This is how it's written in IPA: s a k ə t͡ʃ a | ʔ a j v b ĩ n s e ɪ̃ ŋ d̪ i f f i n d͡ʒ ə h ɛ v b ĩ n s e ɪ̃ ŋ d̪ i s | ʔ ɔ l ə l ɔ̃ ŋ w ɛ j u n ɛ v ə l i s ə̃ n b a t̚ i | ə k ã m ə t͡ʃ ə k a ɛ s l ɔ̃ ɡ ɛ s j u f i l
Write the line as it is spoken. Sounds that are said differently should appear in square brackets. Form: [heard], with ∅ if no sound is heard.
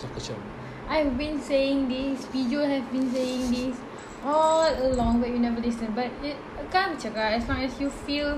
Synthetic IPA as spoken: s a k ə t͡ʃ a | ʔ a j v b ĩ n s e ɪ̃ ŋ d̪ i [s] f i [∅] d͡ʒ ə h ɛ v b ĩ n s e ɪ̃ ŋ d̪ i s | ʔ ɔ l ə l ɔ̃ ŋ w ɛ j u n ɛ v ə l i s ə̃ n b a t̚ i | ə k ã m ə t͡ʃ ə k a ɛ s l ɔ̃ [ŋ] ɛ s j u f i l